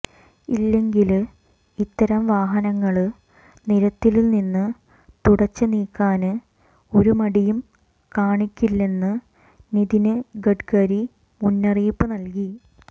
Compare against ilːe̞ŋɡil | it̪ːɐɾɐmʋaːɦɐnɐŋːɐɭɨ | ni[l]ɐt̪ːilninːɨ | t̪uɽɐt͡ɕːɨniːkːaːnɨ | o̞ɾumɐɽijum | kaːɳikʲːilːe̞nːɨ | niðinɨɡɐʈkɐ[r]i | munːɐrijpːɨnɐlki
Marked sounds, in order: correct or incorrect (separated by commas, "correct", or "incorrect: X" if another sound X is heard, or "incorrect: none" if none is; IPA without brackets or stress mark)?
incorrect: ɾ, incorrect: ɾ